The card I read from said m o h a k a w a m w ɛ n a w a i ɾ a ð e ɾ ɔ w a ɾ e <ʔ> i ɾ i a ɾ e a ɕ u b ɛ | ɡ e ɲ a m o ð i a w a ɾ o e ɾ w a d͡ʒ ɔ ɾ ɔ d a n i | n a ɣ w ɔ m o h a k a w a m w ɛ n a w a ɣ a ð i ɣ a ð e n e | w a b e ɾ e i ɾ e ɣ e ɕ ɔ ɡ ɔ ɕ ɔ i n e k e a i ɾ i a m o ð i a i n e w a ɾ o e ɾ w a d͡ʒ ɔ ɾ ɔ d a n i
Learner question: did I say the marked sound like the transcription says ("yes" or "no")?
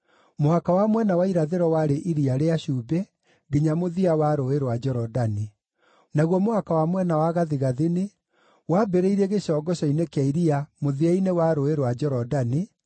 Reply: yes